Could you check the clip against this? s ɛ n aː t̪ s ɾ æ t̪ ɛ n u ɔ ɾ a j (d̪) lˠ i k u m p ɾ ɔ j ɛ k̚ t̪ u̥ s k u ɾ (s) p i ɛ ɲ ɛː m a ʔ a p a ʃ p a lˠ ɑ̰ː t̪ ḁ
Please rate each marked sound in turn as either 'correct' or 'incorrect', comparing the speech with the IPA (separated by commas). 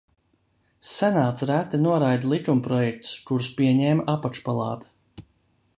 correct, correct